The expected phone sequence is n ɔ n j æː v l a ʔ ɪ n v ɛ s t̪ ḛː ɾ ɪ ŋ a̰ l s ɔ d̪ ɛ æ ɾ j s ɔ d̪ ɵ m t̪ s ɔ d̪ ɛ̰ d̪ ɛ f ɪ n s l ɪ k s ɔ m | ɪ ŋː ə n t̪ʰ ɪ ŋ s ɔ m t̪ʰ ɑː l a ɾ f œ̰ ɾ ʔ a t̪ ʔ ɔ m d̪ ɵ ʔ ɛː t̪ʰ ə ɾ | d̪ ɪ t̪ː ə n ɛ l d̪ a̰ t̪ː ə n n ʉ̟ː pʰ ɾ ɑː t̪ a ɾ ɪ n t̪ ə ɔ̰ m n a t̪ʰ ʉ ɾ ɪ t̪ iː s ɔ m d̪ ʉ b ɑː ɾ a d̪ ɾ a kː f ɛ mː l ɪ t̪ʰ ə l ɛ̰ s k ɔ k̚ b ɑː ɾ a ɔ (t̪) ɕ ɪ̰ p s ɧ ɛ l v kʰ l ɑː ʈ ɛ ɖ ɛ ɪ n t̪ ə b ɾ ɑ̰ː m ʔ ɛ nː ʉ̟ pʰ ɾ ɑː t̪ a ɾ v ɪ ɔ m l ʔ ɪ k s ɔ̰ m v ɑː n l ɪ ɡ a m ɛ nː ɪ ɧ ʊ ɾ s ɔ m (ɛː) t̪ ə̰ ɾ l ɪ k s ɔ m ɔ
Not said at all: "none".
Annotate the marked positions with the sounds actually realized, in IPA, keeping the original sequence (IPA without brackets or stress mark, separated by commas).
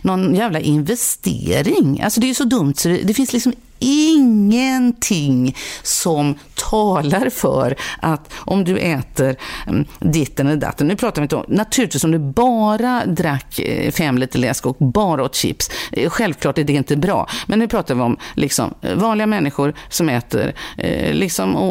t̪, ɛː